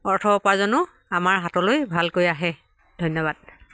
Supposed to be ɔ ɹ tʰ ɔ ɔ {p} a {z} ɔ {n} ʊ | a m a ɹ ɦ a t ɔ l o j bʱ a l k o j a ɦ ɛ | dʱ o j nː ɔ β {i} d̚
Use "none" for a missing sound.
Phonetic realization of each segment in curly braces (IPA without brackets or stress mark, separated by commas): p, z, n, a